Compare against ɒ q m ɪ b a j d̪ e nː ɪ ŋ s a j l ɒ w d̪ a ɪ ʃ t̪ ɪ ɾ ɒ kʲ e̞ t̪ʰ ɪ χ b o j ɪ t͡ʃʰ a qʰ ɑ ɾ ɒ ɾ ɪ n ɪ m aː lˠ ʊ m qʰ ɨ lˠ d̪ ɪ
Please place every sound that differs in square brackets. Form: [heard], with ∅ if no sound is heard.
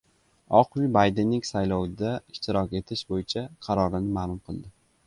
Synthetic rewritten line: ɒ q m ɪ b a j d̪ e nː ɪ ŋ s a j l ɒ w d̪ a ɪ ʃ t̪ ɪ ɾ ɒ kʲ e̞ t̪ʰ ɪ [ʃ] b o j ɪ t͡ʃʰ a qʰ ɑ ɾ ɒ ɾ ɪ n ɪ m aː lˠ ʊ m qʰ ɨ lˠ d̪ ɪ